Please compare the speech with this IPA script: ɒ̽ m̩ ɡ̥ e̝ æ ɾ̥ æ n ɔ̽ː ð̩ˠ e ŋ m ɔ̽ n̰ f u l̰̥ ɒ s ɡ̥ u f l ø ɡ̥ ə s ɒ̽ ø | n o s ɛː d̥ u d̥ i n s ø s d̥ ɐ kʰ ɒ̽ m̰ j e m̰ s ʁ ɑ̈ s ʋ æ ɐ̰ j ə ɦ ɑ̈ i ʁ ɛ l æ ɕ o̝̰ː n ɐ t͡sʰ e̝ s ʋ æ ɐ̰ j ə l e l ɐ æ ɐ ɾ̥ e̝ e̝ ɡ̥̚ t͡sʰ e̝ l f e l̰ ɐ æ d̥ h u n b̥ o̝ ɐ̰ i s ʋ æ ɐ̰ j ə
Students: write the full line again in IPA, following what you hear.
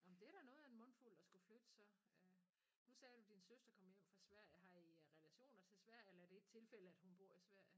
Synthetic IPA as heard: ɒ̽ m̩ d̥ e̝ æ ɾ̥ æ n ɔ̽ː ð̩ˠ e n m ɔ̽ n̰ f u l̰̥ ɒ s ɡ̥ u f l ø d̥ ə s ɒ̽ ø | n u s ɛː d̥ u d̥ i n s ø s d̥ ɐ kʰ ɒ̽ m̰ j e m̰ f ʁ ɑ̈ s ʋ æ ɐ̰ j ə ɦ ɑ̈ i ʁ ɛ l æ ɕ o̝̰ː n ɐ t͡sʰ e̝ s ʋ æ ɐ̰ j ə e l ɐ æ ɐ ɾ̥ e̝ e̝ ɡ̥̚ t͡sʰ e̝ l f e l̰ ə æ d̥ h u n b̥ o̝ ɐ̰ i s ʋ æ ɐ̰ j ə